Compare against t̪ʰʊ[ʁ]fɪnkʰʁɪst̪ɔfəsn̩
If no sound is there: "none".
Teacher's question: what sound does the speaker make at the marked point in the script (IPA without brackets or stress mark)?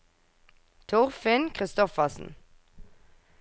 ʁ